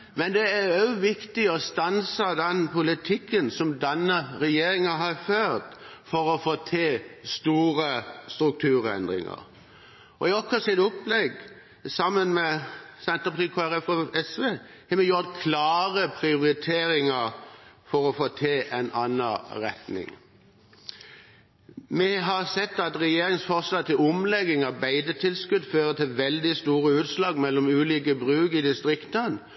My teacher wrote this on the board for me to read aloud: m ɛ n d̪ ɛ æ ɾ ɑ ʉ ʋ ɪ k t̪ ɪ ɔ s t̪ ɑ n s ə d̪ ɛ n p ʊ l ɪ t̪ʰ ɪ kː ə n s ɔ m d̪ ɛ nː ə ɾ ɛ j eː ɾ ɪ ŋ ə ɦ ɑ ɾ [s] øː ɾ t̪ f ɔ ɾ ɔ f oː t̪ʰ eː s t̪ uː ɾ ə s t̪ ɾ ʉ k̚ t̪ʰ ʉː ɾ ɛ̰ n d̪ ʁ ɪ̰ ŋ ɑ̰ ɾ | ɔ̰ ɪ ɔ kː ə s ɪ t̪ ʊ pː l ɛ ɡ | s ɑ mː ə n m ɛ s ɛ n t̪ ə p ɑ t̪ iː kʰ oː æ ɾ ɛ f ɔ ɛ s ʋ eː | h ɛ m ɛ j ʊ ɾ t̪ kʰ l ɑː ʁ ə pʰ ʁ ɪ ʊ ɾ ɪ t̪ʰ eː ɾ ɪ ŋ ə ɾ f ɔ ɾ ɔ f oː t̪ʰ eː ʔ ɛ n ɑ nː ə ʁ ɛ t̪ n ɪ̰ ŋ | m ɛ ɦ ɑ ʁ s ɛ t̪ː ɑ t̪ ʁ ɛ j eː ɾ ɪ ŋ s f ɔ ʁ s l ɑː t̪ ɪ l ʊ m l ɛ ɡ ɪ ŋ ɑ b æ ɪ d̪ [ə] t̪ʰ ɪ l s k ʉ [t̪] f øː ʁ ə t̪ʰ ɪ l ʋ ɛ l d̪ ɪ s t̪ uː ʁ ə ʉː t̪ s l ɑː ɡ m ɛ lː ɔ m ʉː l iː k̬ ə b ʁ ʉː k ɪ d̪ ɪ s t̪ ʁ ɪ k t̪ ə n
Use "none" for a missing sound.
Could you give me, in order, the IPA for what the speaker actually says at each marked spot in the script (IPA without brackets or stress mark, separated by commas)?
f, ə, d̪